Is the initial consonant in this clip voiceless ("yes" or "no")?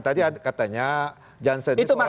yes